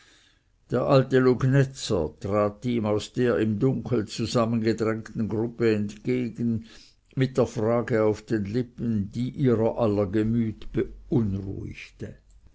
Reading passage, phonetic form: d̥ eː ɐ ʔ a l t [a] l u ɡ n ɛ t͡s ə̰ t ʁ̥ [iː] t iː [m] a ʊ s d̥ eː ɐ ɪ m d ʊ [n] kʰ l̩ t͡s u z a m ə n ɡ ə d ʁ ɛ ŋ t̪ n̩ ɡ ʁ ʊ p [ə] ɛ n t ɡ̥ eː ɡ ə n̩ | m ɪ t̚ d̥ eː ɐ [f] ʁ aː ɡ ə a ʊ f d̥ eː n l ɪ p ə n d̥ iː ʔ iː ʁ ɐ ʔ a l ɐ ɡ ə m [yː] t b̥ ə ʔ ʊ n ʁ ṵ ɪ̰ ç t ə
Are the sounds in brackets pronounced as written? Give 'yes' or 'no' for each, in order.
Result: no, no, yes, no, yes, yes, yes

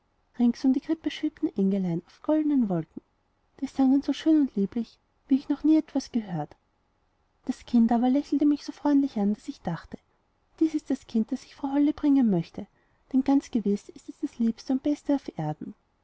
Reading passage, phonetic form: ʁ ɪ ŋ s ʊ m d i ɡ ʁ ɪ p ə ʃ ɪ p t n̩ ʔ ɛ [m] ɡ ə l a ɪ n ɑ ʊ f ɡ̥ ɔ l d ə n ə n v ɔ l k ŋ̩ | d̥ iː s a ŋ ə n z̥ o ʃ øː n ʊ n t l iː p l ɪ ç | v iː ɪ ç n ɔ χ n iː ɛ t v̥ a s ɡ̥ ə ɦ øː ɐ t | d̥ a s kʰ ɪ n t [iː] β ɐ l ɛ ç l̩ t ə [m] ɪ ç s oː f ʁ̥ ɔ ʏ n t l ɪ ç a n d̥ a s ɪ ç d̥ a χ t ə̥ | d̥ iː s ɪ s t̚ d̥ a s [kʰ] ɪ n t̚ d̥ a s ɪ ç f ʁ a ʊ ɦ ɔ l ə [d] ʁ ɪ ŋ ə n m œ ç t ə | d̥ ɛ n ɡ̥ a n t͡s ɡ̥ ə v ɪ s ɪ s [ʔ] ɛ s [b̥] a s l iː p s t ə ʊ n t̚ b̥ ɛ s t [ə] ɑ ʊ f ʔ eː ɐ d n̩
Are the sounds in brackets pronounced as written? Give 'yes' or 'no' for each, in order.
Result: no, no, yes, yes, no, no, no, yes

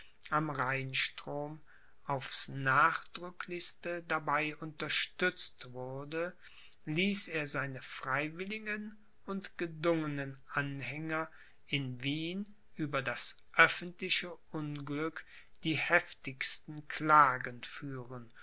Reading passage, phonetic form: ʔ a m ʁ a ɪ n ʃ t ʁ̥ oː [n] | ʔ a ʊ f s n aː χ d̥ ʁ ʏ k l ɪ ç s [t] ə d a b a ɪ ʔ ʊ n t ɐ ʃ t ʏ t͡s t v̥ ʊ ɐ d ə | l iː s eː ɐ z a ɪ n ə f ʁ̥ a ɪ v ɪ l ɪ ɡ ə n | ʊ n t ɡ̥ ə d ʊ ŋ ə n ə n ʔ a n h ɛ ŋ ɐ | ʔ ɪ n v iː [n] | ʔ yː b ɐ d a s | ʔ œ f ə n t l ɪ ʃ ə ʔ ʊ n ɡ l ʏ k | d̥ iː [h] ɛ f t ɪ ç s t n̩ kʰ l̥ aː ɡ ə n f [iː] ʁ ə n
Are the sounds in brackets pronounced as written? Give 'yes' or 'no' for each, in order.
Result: no, yes, yes, yes, no

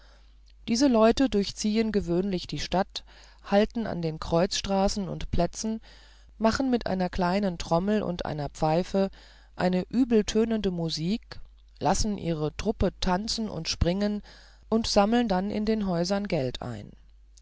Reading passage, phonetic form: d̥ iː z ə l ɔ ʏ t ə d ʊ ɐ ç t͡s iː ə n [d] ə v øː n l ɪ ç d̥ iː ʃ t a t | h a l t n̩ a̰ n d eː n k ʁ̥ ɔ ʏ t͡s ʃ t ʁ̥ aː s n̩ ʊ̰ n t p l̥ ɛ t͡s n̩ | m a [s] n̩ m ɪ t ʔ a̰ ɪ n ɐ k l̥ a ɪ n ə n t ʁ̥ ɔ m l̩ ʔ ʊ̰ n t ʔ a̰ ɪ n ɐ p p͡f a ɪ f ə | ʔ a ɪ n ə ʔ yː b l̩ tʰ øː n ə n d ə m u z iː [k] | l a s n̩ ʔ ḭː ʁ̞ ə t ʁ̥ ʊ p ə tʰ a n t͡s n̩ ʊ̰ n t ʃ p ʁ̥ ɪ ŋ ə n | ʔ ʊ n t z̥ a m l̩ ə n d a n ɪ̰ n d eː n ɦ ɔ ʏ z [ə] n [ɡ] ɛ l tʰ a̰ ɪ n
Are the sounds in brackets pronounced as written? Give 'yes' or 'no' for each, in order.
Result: no, no, yes, no, yes

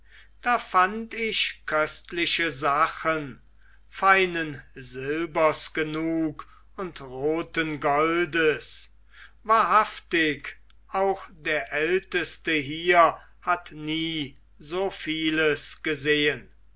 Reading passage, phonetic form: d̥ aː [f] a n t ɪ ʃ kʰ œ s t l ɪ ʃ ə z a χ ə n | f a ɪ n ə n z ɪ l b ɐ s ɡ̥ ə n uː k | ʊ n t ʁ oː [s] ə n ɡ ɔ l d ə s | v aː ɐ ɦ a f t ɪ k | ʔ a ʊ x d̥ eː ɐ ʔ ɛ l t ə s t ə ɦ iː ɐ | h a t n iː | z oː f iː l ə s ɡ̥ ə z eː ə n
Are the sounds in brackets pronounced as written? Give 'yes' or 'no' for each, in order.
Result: yes, no

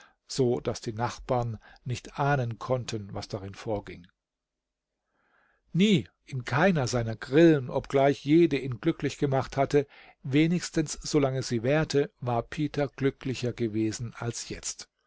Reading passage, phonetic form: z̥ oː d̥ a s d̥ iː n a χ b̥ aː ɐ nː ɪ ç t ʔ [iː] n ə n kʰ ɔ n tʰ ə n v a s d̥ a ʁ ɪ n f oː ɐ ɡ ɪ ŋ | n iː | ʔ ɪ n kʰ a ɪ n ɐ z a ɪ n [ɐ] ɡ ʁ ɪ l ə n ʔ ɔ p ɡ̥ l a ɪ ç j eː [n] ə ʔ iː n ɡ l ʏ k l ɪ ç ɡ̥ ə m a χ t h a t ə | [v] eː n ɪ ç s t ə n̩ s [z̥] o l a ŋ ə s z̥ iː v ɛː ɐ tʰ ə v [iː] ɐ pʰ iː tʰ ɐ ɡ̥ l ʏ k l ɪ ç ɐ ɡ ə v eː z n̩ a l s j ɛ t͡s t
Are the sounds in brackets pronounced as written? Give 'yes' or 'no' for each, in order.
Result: no, yes, no, yes, yes, no

